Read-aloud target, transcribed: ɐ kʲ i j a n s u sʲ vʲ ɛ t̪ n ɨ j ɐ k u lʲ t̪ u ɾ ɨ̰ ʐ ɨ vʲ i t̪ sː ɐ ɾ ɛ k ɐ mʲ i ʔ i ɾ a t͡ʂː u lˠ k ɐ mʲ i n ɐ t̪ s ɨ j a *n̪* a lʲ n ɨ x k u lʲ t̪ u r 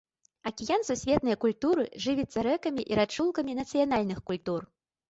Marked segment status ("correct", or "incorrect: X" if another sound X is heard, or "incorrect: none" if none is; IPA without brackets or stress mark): correct